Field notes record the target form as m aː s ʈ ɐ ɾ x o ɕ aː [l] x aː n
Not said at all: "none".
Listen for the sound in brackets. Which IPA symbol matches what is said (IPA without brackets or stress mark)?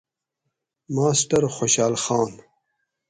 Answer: l